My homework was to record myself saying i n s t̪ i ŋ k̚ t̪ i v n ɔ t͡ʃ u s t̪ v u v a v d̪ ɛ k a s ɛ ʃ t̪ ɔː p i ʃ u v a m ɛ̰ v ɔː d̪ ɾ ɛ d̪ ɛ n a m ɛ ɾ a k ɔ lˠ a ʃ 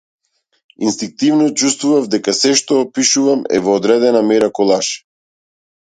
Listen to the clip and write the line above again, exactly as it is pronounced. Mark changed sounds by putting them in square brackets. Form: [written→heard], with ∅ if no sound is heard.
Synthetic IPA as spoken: i n s t̪ i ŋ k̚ t̪ i v n ɔ t͡ʃ u s t̪ v u v a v d̪ ɛ k a s ɛ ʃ t̪ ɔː p i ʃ u v a m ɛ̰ v ɔː d̪ ɾ ɛ d̪ ɛ n a m ɛ ɾ a k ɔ lˠ a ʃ